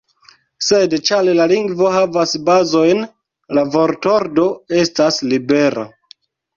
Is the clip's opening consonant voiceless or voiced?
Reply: voiceless